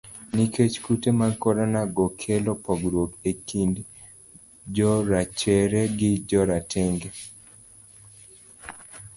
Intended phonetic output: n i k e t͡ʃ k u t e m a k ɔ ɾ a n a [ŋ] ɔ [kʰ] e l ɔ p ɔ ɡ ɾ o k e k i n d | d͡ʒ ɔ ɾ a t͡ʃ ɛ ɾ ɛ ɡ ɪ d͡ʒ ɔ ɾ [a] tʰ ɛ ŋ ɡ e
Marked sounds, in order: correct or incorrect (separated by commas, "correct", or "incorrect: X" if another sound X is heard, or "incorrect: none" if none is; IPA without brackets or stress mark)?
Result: incorrect: ɡ, correct, correct